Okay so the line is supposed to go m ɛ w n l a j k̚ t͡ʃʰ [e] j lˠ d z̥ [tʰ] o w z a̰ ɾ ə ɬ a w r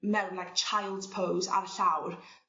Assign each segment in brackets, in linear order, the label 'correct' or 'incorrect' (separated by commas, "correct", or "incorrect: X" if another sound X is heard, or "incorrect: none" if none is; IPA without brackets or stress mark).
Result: incorrect: a, incorrect: pʰ